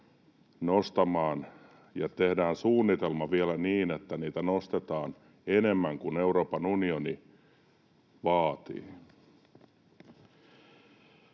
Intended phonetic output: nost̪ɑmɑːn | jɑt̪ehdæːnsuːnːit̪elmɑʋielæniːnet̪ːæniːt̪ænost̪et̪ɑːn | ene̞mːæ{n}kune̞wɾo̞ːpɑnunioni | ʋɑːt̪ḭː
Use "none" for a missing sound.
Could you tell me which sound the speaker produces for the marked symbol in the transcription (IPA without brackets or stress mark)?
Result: ŋ